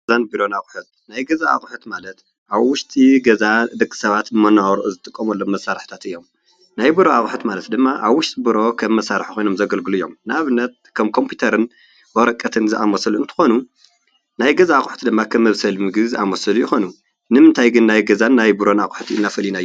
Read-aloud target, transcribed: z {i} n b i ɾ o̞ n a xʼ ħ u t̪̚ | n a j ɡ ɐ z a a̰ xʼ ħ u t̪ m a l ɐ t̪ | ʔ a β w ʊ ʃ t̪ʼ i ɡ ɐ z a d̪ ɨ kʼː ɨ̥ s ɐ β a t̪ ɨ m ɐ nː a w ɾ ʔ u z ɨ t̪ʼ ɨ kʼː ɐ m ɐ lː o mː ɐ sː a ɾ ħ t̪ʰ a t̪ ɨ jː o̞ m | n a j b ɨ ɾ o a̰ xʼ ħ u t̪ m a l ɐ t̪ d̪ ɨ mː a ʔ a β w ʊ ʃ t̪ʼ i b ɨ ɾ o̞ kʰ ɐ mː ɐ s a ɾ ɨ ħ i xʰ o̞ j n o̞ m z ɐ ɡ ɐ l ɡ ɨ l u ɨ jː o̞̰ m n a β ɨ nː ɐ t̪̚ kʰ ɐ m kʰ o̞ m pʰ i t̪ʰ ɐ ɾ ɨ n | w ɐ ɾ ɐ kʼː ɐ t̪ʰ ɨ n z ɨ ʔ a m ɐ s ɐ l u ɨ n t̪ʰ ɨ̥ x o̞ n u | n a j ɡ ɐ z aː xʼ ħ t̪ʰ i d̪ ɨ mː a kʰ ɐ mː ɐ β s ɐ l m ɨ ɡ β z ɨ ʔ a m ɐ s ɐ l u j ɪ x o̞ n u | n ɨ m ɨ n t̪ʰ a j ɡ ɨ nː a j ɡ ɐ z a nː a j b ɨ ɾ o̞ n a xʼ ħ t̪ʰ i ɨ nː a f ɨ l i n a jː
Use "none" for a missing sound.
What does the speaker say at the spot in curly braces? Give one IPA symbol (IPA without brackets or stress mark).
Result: a